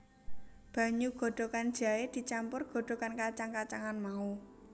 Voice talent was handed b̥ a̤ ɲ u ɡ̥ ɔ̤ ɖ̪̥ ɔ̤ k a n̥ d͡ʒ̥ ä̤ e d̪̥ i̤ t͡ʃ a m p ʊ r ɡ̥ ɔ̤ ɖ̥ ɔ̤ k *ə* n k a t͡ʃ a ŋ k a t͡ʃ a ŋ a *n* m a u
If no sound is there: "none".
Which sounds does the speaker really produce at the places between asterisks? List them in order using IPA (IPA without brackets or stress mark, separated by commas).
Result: a, n